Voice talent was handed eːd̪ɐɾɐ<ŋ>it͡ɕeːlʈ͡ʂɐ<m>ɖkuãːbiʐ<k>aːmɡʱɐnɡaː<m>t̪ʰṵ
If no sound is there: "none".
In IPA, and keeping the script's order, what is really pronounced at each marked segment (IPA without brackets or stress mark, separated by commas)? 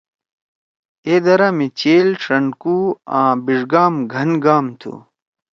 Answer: m, ɳ, ɡ, m